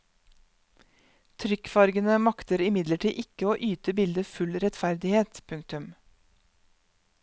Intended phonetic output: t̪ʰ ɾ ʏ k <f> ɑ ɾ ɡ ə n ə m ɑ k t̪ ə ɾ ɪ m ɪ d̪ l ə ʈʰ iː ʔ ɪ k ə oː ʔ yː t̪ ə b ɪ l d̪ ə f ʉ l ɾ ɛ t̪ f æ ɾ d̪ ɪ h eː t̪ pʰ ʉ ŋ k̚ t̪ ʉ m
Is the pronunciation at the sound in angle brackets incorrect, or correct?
correct